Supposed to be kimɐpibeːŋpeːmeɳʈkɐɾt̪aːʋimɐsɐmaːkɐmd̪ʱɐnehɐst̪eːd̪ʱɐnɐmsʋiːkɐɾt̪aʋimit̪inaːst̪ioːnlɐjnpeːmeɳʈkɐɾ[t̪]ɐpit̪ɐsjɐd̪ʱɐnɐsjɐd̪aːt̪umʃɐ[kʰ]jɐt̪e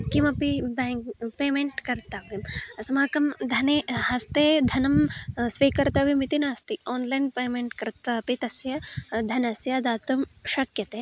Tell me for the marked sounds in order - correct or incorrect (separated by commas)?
correct, incorrect